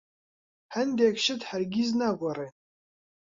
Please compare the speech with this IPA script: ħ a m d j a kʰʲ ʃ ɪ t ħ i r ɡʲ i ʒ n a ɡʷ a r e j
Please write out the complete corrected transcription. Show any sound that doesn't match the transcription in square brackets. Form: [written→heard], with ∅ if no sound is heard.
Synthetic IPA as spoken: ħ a [m→n] d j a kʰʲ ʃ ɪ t ħ [i→a] r ɡʲ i [ʒ→z] n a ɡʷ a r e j